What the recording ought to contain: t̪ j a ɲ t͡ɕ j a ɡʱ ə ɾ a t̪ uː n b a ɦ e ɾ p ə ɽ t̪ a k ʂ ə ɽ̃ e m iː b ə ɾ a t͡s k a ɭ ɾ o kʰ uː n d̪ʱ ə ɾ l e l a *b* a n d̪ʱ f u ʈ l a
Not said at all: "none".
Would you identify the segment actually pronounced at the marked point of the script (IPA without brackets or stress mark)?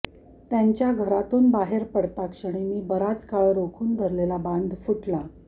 b